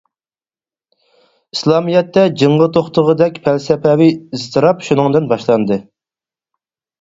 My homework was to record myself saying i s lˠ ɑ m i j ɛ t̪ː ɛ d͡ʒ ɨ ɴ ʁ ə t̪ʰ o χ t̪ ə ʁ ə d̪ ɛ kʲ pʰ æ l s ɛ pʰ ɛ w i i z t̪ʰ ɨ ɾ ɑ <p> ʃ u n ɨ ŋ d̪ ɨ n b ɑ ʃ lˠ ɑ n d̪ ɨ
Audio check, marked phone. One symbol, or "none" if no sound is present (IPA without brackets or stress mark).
p